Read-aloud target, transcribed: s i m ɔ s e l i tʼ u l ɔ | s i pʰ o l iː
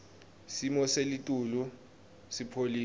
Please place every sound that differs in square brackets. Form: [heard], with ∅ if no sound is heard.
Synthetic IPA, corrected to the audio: s i m ɔ s e l i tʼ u l [u] | s i pʰ o l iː

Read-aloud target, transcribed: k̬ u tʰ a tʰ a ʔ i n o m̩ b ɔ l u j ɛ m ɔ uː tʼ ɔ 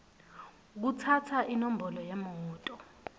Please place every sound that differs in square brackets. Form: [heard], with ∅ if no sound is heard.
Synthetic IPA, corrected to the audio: k̬ u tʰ a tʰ a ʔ i n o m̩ b ɔ l [ɔ] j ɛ m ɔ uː tʼ ɔ

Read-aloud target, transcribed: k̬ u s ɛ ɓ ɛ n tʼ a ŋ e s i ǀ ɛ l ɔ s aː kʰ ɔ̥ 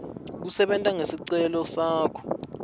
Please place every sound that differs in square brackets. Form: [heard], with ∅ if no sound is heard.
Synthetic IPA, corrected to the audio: k̬ u s ɛ ɓ ɛ n tʼ a ŋ e s i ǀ ɛ l ɔ s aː kʰ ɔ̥

